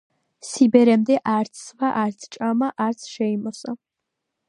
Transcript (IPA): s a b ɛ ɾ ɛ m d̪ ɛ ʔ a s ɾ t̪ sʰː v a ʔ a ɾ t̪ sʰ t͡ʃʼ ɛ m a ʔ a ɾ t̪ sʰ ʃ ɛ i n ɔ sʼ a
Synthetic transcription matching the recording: s i b ɛ ɾ ɛ m d̪ ɛ ʔ a ɾ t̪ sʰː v a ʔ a ɾ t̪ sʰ t͡ʃʼ a m a ʔ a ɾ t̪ sʰ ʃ ɛ i m ɔ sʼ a